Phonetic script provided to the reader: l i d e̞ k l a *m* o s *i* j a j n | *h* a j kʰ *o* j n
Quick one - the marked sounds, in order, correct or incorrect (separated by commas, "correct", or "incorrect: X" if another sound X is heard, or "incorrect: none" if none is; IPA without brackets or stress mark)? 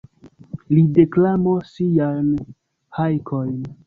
correct, correct, correct, correct